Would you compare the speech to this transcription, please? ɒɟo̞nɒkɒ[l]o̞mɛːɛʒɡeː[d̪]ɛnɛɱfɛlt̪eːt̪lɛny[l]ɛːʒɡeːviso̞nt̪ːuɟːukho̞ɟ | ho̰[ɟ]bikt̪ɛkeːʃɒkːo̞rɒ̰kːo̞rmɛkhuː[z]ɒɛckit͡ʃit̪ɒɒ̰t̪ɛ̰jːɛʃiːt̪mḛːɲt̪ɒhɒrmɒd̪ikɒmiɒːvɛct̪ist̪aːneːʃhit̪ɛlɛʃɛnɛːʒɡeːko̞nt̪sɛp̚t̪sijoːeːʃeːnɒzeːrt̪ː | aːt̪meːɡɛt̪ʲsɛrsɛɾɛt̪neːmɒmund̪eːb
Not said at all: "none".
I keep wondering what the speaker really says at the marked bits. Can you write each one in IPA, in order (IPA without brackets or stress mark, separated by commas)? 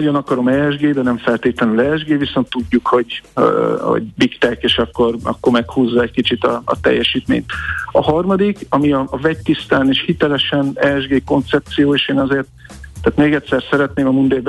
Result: ɾ, d̪, l, ɟ, zː